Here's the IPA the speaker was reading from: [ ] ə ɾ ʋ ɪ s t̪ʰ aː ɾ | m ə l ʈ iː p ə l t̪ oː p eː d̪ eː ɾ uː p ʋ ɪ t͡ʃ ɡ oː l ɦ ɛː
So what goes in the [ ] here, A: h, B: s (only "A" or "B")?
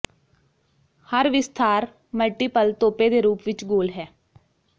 A